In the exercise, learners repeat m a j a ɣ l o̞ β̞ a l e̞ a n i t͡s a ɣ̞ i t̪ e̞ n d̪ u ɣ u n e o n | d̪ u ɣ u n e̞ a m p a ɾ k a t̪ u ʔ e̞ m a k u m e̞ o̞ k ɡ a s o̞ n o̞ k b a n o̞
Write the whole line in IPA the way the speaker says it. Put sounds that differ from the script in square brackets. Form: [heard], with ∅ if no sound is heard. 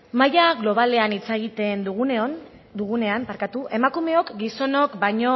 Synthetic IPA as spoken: m a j a ɣ l o̞ β̞ a l e̞ a n i t͡s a ɣ̞ i t̪ e̞ n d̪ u ɣ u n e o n | d̪ u ɣ u n e̞ a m p a ɾ k a t̪ u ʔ e̞ m a k u m e̞ o̞ k ɡ [i] s o̞ n o̞ k b a [ɲ] o̞